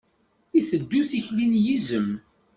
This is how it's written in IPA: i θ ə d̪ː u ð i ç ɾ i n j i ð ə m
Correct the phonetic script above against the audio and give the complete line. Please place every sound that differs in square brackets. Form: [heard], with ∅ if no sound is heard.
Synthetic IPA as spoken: i θ ə d̪ː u [θ] i ç [l] i n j i [z] ə m